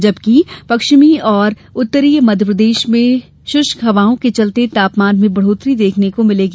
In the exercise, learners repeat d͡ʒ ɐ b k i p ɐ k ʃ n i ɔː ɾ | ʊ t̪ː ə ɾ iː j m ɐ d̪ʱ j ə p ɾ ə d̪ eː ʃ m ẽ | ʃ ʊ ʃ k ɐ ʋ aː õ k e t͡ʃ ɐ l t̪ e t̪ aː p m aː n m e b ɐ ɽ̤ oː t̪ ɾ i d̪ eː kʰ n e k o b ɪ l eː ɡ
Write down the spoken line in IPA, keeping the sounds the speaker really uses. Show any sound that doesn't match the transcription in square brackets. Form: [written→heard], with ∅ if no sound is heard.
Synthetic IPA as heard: d͡ʒ ɐ b k i p ɐ k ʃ [n→m] i ɔː ɾ | ʊ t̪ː ə ɾ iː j m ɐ d̪ʱ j ə p ɾ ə d̪ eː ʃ m ẽ | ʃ ʊ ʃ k ɐ ʋ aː õ k e t͡ʃ ɐ l t̪ e t̪ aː p m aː n m [e→ẽ] b ɐ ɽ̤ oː t̪ ɾ i d̪ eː kʰ n e k o [b→m] ɪ l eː ɡ